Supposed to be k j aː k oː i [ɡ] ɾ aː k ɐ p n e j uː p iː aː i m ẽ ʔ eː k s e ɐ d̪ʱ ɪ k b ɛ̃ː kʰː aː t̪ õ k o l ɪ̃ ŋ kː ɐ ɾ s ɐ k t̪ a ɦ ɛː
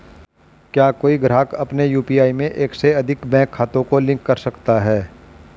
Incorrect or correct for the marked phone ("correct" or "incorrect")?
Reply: correct